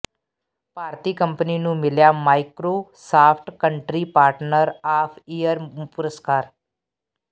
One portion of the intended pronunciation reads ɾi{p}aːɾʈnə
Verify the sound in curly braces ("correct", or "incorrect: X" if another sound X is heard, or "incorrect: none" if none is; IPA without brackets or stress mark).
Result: correct